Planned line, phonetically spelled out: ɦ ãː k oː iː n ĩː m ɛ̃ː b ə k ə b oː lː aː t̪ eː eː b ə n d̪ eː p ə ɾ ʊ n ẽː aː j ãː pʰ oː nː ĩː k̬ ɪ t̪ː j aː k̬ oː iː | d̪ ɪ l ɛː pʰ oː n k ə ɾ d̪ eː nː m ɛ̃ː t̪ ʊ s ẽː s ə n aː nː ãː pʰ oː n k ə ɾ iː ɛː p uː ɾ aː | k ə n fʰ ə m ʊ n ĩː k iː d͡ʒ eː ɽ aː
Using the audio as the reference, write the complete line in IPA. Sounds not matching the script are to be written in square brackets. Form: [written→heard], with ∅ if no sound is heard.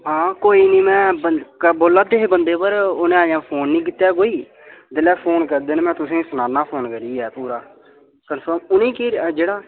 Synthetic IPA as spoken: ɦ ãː k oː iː n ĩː m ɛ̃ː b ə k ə b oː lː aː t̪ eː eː b ə n d̪ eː p ə ɾ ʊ n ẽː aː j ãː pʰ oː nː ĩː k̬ ɪ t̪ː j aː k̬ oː iː | d̪ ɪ l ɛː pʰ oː n k ə ɾ d̪ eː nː m ɛ̃ː t̪ ʊ s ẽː s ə n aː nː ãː pʰ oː n k ə ɾ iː ɛː p uː ɾ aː | k ə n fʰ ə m ʊ n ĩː k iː d͡ʒ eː ɽ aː